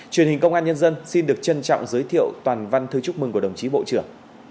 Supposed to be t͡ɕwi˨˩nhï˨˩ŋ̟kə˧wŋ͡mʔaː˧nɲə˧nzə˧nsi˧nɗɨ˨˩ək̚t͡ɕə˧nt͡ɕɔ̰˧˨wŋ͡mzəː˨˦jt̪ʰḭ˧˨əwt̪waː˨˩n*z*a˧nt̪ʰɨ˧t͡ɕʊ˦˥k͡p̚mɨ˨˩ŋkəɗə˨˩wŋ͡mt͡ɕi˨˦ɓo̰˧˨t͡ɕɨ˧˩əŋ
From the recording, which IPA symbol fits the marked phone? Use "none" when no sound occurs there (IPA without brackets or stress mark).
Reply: v